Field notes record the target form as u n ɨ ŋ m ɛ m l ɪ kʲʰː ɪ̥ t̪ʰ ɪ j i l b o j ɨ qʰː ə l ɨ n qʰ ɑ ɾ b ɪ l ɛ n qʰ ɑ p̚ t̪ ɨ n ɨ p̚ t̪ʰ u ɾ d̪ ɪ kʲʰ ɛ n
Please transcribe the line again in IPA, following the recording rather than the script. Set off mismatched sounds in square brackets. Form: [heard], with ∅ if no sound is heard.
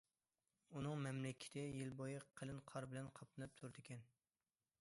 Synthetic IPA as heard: u n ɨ ŋ m ɛ m l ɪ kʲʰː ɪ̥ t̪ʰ ɪ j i l b o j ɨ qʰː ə l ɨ n qʰ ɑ ɾ b ɪ l ɛ n qʰ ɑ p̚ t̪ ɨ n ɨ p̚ t̪ʰ u ɾ d̪ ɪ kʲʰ ɛ n